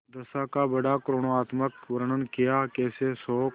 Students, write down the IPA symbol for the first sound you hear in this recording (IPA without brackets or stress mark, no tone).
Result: d̪